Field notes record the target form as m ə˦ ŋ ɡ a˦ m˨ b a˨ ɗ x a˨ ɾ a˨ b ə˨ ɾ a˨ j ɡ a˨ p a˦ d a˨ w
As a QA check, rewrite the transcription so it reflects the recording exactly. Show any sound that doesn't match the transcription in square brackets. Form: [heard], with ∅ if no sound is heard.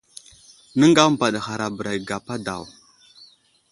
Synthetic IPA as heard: [n] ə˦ ŋ ɡ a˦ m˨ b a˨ ɗ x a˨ ɾ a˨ b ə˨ ɾ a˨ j ɡ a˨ p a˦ d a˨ w